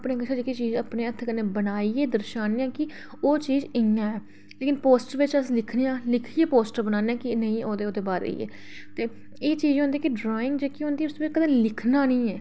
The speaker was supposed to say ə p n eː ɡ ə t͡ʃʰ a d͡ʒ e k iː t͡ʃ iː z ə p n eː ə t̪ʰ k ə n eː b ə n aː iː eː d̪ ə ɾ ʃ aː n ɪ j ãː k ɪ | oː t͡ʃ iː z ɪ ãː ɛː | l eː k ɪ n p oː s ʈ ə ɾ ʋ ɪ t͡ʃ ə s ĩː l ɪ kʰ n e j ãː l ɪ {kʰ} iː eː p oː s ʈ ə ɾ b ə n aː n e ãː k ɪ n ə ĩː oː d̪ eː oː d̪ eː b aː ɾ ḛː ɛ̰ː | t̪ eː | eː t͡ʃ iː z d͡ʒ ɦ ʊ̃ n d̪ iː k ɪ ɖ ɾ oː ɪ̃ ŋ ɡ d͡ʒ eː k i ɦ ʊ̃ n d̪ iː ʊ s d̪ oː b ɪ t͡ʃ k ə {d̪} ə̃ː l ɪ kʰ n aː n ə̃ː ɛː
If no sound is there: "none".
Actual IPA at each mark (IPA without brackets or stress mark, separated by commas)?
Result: kʰ, d̪